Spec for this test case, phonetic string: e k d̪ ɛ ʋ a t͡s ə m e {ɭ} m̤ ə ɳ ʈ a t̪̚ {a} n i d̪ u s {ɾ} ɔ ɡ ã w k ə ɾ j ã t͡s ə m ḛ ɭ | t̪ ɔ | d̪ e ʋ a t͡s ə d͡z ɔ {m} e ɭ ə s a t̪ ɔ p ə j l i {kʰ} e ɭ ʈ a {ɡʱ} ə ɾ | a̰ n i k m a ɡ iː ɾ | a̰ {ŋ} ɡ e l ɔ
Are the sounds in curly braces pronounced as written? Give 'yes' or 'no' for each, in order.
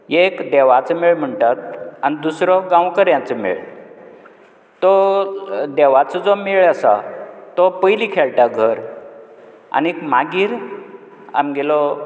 yes, yes, yes, yes, yes, yes, no

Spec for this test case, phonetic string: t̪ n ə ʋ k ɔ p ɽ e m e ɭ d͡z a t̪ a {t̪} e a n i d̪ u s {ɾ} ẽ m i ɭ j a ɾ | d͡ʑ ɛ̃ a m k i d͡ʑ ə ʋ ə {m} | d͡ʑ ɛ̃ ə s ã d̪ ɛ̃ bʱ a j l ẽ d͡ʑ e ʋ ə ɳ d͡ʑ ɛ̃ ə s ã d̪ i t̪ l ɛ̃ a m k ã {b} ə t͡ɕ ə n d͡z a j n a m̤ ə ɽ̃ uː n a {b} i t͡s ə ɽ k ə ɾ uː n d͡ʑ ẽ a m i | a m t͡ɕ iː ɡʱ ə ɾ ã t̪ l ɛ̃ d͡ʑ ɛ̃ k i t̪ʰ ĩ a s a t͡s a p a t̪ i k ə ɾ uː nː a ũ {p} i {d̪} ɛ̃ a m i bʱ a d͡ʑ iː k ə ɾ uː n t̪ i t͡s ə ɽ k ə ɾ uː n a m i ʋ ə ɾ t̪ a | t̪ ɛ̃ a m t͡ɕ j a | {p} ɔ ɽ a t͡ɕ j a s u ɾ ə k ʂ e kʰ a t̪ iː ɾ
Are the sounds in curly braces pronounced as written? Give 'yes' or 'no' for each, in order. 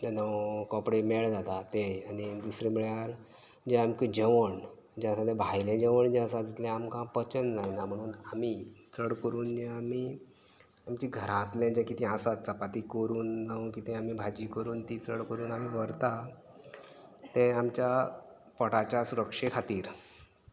yes, yes, no, no, no, no, no, yes

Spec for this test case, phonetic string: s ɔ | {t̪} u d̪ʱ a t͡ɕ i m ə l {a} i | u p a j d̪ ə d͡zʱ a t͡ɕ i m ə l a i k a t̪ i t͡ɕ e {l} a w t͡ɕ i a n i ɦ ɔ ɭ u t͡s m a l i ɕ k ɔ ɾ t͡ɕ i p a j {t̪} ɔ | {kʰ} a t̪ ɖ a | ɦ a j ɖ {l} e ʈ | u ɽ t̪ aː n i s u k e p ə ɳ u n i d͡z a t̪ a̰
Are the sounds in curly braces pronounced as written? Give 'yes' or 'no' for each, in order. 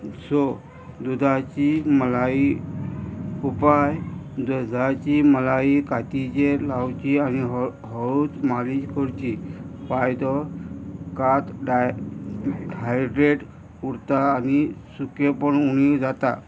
no, yes, yes, no, no, no

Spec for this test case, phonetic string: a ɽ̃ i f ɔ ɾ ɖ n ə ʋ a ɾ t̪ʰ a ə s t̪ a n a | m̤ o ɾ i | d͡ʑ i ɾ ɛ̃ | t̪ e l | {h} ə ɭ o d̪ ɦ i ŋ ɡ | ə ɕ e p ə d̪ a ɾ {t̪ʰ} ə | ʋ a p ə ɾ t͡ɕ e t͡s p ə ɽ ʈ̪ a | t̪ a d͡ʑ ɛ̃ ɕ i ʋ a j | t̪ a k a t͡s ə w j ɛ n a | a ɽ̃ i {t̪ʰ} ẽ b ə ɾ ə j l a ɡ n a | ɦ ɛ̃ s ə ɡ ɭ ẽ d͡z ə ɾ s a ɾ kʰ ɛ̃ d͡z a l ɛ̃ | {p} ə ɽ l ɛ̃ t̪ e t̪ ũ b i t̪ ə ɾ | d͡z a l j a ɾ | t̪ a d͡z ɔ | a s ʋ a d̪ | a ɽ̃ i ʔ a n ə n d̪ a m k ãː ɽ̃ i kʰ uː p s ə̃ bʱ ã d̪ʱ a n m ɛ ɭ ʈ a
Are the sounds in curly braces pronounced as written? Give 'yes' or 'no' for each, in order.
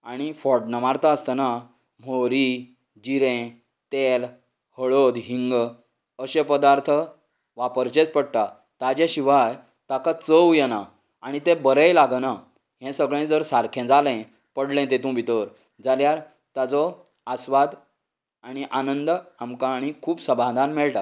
yes, yes, no, yes

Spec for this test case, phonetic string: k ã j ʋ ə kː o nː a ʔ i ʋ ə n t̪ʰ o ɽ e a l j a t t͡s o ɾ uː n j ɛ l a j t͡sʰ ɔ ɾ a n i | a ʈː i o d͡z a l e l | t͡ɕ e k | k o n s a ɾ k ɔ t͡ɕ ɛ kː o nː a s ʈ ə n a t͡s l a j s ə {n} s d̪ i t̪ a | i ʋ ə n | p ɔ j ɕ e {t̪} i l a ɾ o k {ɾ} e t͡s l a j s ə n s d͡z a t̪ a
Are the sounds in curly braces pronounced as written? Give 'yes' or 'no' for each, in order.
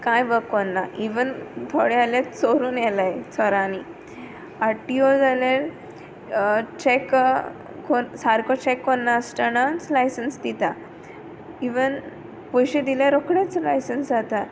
yes, no, no

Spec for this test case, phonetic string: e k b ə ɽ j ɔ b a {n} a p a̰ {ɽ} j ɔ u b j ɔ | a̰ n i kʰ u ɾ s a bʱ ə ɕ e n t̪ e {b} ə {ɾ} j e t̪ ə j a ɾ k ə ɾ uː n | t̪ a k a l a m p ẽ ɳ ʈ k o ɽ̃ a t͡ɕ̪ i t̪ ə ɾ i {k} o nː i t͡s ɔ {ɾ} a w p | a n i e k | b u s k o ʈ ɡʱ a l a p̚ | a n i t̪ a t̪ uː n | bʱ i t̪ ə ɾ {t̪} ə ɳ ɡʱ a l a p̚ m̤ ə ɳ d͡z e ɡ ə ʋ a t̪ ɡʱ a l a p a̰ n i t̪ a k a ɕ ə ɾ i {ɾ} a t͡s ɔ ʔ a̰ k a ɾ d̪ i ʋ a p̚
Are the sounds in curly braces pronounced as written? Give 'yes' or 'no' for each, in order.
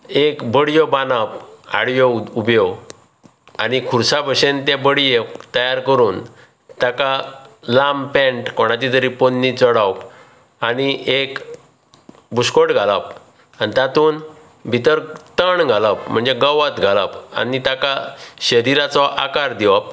yes, yes, yes, no, no, no, yes, yes

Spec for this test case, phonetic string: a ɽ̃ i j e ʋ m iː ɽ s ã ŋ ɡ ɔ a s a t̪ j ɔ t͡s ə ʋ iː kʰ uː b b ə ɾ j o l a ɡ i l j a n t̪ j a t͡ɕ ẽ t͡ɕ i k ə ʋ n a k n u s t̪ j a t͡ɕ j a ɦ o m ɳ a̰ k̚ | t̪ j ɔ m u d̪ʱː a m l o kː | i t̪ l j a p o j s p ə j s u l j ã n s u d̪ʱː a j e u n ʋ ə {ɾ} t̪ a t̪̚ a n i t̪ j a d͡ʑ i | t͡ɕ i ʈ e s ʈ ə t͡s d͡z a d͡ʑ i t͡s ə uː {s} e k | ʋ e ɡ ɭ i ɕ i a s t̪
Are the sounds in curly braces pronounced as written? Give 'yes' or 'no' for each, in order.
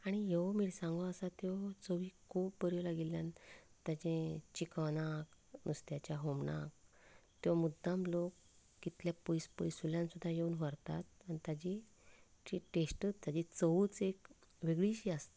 yes, no

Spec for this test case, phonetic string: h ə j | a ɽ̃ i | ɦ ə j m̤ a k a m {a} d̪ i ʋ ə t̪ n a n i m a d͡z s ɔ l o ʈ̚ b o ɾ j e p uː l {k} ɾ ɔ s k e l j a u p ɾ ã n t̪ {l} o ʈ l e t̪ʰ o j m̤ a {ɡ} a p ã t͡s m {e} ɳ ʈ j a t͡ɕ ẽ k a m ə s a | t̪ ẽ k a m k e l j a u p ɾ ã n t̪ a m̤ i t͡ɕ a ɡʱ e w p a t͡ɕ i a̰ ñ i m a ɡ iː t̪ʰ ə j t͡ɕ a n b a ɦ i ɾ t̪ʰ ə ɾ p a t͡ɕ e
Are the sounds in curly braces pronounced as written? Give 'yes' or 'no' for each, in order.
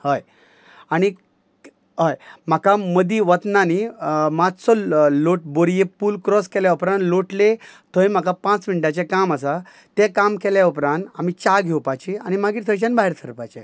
no, yes, yes, no, no

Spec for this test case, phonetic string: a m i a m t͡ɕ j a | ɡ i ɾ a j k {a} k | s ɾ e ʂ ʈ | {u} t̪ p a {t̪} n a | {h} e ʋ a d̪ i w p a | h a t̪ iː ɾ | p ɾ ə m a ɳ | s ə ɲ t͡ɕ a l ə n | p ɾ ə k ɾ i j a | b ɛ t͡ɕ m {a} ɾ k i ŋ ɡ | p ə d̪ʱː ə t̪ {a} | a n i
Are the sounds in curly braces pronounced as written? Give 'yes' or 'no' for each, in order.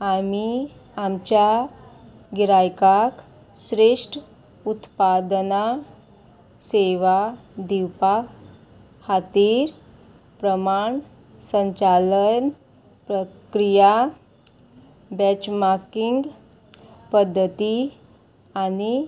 yes, yes, no, no, yes, no

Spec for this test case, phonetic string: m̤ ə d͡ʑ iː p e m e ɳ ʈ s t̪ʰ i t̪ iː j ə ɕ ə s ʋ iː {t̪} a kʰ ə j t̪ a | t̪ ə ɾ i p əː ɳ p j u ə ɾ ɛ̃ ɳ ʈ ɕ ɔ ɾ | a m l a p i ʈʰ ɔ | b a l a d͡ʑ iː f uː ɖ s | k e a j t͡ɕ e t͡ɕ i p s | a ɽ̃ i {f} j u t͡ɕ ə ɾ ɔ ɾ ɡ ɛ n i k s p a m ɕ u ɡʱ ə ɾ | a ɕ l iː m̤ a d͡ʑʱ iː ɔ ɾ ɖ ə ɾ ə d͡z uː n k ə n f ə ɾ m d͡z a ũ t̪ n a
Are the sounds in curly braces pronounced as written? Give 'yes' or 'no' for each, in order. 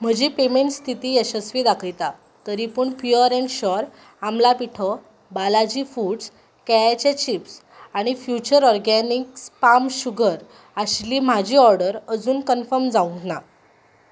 no, yes

